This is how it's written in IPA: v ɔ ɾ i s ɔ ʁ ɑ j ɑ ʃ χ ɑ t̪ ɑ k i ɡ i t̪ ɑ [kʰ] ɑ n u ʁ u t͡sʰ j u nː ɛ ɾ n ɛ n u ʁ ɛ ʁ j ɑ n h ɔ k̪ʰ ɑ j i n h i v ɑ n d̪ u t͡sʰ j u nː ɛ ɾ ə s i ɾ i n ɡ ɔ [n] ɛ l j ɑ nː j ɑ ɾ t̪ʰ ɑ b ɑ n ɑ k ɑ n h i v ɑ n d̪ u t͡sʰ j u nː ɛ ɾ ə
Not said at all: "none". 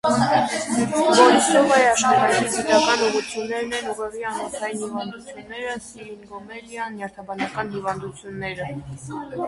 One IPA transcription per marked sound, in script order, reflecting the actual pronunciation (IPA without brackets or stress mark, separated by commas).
k, m